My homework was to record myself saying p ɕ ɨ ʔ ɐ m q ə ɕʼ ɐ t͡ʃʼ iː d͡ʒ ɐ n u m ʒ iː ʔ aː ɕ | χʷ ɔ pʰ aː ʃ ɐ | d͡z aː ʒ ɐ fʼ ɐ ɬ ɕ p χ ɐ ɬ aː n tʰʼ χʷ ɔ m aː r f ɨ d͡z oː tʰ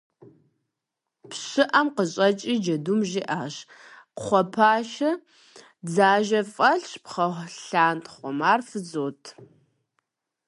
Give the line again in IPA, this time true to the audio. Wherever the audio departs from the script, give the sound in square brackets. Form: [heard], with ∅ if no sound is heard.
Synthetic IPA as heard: p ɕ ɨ ʔ ɐ m q ə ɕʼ ɐ t͡ʃʼ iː d͡ʒ ɐ [d] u m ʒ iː ʔ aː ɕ | χʷ ɔ pʰ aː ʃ ɐ | d͡z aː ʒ ɐ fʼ ɐ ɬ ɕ p χ ɐ ɬ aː n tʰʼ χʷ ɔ m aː r f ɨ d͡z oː tʰ